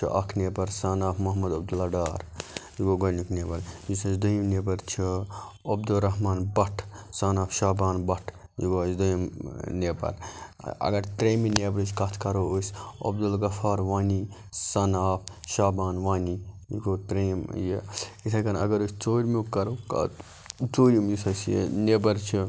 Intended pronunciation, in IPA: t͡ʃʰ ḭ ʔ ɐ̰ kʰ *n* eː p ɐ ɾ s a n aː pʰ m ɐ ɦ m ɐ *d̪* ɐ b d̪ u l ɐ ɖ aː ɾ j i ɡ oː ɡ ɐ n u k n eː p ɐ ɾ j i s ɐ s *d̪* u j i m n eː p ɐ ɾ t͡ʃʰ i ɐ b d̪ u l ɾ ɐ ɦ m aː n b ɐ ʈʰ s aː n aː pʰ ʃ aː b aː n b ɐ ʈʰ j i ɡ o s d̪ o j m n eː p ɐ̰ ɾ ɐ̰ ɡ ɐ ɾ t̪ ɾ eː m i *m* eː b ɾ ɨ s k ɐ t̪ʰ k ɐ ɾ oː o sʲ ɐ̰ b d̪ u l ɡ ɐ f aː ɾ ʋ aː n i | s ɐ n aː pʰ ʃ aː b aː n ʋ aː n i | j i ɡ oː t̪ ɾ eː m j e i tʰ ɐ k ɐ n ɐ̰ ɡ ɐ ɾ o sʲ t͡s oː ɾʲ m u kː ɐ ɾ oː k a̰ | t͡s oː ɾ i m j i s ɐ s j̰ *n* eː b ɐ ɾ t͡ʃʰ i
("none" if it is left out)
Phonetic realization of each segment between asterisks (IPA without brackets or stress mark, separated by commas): n, d̪, d̪, n, n